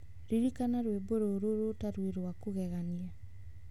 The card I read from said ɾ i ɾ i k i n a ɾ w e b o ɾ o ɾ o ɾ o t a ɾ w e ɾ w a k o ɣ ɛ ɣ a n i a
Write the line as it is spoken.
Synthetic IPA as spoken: ɾ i ɾ i k a n a ɾ w e b o ɾ o ɾ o ɾ o t a ɾ w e ɾ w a k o ɣ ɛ ɣ a n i a